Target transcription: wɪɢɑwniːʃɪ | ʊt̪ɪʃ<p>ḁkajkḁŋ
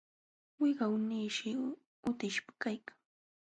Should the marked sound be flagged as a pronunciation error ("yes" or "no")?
no